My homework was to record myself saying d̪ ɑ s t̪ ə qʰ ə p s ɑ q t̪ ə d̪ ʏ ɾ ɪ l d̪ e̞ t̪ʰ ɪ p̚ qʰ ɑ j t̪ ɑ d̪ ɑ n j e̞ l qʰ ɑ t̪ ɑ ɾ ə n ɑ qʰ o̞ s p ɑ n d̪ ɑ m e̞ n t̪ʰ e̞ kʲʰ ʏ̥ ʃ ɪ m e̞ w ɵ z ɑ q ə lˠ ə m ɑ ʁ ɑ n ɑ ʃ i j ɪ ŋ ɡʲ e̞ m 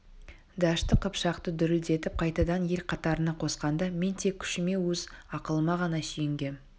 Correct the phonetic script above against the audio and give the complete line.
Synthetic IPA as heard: d̪ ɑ ʃ t̪ ə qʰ ə p ʃ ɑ q t̪ ə d̪ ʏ ɾ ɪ l d̪ e̞ t̪ ɪ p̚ qʰ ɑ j t̪ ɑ d̪ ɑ n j e̞ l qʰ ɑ t̪ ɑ ɾ ə n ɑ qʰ o̞ s q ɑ n d̪ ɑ m e̞ n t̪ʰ e̞ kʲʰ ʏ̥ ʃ ɪ m e̞ w ɵ z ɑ q ə lˠ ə m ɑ ʁ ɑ n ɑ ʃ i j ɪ ŋ ɡʲ e̞ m